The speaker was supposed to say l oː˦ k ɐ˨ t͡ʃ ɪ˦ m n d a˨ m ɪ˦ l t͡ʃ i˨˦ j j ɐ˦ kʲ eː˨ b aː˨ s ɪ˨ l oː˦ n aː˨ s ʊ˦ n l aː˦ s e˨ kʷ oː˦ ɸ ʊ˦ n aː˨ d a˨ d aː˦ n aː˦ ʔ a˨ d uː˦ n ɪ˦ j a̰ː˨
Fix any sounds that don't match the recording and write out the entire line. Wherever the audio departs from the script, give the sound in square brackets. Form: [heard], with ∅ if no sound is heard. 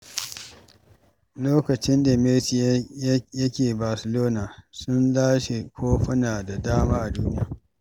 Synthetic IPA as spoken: l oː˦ k ɐ˨ t͡ʃ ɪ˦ [∅] n d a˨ m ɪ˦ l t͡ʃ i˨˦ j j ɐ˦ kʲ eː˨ b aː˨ s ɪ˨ l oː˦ n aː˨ s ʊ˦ n l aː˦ [ʃ] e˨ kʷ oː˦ ɸ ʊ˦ n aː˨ d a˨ d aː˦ [m] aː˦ ʔ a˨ d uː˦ n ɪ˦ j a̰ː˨